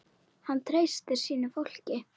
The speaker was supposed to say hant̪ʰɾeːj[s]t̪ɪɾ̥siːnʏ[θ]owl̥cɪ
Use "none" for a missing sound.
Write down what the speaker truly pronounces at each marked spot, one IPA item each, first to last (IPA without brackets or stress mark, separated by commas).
s, f